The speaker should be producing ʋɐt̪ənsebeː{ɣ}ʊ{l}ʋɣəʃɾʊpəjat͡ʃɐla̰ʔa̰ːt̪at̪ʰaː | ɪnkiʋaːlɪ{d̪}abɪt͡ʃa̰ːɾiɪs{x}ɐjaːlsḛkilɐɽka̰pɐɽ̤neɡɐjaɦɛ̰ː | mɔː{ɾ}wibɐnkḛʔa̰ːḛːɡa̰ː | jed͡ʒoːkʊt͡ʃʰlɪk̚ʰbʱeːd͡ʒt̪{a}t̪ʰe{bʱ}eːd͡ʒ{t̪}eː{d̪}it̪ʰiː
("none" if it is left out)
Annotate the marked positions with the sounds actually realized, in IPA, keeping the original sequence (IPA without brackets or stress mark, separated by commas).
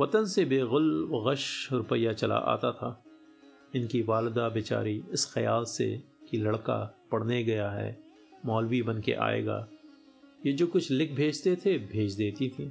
ɣ, l, d̪, x, l, e, bʱ, d̪, t̪